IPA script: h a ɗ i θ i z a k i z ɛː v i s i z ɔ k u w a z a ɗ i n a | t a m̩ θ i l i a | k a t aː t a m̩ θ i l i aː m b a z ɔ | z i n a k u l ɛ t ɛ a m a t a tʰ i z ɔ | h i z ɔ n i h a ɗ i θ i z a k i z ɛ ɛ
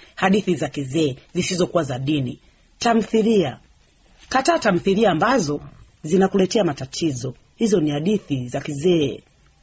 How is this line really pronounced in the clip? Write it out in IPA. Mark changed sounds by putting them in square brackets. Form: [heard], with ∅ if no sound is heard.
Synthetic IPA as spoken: h a ɗ i θ i z a k i z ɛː [z] i s i z ɔ k u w a z a ɗ i n [i] | t a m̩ θ i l i a | k a t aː t a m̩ θ i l i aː m b a z ɔ | z i n a k u l ɛ t ɛ a m a t a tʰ i z ɔ | h i z ɔ n i h a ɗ i θ i z a k i z ɛ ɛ